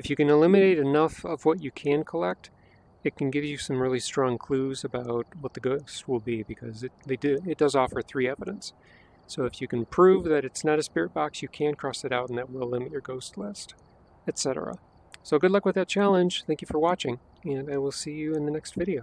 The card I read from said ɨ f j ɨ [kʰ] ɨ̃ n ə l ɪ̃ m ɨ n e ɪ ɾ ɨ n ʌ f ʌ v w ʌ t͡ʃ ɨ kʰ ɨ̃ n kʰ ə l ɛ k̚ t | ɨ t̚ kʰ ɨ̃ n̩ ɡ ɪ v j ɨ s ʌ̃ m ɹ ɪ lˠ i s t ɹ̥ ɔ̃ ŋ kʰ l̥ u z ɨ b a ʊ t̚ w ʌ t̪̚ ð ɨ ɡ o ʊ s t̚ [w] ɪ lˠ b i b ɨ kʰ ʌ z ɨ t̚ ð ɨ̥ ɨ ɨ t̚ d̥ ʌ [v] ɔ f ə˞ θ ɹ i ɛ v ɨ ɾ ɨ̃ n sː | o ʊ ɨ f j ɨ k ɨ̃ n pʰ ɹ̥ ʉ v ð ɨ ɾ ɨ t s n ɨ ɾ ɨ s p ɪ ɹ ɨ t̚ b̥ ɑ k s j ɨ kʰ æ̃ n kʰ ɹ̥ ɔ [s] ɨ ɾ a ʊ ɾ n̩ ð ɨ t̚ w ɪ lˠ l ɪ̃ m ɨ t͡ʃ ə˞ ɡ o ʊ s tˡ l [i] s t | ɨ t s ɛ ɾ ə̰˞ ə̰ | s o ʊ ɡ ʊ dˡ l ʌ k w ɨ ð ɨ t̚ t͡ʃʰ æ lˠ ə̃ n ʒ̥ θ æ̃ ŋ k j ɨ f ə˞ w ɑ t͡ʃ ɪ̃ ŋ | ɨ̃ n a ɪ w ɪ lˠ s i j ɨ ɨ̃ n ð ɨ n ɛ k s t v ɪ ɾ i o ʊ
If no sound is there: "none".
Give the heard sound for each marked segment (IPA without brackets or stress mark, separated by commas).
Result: k, w, z, s, ɪ